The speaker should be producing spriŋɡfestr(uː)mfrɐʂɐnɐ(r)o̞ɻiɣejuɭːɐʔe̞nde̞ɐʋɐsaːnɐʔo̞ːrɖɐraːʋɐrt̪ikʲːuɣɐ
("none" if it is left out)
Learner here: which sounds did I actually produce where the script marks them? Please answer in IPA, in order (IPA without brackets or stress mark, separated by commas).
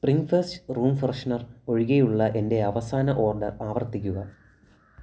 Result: uː, r